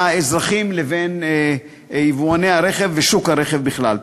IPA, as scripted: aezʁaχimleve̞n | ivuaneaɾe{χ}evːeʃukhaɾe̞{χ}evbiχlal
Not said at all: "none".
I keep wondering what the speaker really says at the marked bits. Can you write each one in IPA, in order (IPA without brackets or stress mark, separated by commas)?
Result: χ, χ